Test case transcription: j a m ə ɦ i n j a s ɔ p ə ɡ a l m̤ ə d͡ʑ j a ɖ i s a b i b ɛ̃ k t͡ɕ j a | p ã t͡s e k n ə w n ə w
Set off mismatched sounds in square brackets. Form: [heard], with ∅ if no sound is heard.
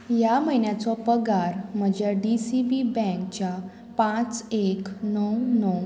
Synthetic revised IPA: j a m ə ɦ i n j a [t͡s] ɔ p ə ɡ a [ɾ] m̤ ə d͡ʑ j a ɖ i s [i] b i b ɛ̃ k t͡ɕ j a | p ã t͡s e k n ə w n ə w